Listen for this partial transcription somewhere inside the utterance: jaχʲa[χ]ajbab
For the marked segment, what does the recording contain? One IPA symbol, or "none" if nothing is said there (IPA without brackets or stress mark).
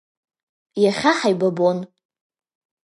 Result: ħ